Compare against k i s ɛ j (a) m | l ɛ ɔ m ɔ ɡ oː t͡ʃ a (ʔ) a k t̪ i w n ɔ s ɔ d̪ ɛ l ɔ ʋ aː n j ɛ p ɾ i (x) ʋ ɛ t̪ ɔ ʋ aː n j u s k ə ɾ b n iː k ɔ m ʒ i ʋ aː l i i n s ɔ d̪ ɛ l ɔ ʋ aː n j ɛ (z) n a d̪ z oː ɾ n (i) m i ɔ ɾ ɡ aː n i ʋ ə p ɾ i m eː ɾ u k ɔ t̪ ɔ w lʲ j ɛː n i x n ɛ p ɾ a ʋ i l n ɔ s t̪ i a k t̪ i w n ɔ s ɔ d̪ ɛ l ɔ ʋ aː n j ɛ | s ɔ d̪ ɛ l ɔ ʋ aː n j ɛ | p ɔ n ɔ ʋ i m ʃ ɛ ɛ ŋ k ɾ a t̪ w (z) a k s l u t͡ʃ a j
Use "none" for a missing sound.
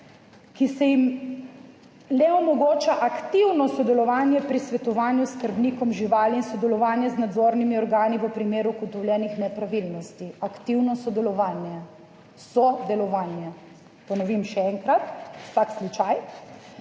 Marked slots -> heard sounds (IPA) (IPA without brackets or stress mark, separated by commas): i, ʔ, s, z, i, s